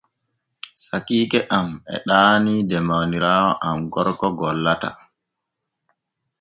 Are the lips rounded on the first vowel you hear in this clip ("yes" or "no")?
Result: no